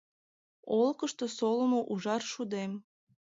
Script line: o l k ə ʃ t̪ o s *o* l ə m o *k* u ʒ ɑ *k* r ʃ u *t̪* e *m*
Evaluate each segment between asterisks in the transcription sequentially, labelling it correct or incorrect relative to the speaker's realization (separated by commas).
correct, incorrect, incorrect, incorrect, correct